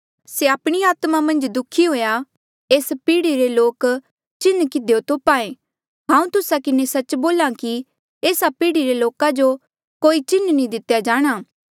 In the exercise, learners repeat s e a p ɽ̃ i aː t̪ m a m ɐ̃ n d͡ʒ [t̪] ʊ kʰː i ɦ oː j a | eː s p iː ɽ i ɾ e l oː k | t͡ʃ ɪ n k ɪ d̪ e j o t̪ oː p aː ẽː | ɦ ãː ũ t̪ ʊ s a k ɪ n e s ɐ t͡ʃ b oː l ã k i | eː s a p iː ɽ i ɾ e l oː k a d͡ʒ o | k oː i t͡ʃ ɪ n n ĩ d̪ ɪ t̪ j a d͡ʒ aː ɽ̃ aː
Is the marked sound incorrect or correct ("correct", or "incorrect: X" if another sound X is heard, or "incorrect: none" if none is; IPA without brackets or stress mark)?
incorrect: d̪